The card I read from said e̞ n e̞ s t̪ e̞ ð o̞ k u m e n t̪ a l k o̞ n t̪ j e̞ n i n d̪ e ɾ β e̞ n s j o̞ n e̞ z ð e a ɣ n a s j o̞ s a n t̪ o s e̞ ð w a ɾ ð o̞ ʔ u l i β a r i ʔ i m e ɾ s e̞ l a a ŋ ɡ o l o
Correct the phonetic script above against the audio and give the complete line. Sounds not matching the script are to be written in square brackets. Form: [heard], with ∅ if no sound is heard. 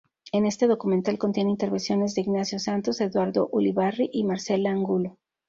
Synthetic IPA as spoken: e̞ n e̞ s t̪ e̞ ð o̞ k u m e n t̪ a l k o̞ n t̪ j e̞ n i n [t̪] e ɾ β e̞ n s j o̞ n e̞ z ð e [i] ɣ n a s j o̞ s a n t̪ o s e̞ ð w a ɾ ð o̞ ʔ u l i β a r i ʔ i m [a] ɾ s e̞ l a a ŋ ɡ [u] l o